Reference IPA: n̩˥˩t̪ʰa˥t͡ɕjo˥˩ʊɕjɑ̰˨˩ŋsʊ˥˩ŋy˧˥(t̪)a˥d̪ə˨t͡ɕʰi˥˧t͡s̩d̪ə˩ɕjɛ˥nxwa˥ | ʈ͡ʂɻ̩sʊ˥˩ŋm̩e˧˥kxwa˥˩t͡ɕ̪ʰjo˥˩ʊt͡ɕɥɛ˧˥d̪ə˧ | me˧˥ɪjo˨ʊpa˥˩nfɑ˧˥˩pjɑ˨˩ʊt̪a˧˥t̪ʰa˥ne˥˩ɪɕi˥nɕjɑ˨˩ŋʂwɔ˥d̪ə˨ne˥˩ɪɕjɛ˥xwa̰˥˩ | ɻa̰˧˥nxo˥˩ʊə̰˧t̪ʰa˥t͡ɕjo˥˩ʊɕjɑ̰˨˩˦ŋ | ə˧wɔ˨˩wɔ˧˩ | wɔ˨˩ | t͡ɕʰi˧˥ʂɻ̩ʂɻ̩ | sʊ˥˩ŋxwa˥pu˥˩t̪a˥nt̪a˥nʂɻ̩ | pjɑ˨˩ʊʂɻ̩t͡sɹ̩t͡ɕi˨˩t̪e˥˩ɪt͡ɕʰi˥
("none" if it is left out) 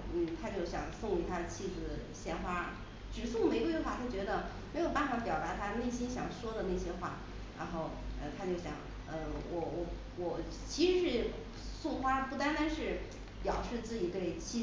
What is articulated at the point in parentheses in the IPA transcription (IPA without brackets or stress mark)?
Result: t̪ʰ